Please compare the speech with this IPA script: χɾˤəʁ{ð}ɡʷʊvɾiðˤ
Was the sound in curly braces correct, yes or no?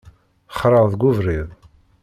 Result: yes